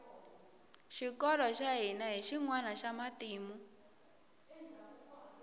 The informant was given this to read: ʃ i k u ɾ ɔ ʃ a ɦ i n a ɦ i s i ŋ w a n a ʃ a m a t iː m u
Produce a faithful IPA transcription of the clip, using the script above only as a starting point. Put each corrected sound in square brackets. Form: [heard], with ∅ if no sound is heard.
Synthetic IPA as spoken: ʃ i k [ɔ] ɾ ɔ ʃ a ɦ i n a ɦ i [ʃ] i ŋ w a n a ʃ a m a t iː m u